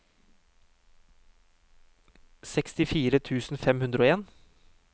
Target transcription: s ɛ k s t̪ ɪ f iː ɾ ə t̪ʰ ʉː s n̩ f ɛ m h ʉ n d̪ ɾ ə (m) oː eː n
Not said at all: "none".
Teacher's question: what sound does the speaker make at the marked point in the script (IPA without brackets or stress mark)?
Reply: none